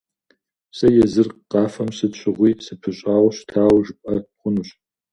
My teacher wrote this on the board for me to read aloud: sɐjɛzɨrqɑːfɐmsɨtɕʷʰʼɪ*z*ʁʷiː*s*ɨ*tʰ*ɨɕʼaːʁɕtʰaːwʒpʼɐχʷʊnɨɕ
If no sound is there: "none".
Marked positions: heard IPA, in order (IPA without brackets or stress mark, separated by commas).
none, s, pʰ